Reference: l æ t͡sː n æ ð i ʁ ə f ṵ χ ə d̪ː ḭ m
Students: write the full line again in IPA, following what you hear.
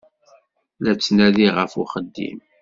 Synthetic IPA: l æ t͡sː n æ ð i ʁ ə f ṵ χ ə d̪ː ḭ m